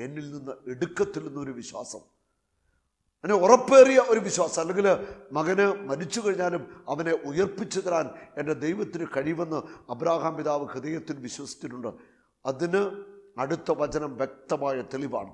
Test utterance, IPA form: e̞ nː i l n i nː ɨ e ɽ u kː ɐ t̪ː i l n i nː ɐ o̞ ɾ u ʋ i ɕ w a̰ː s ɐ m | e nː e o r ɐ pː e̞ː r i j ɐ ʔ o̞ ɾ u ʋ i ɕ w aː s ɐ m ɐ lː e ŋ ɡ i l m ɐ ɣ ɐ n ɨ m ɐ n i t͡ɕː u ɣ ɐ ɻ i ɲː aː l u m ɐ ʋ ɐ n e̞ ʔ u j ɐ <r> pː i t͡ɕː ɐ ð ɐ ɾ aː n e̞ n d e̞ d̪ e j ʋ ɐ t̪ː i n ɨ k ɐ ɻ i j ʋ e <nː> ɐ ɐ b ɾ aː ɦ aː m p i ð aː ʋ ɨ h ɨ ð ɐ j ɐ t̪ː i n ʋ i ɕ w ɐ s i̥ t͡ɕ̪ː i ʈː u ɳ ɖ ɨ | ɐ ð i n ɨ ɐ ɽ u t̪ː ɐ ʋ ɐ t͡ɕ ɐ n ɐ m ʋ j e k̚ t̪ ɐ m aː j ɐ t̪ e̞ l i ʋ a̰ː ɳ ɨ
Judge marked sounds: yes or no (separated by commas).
yes, yes